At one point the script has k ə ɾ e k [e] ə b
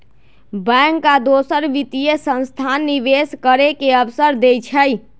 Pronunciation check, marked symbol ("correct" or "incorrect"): correct